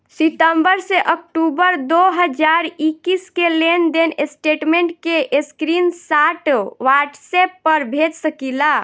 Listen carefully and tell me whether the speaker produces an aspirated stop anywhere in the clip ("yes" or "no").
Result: no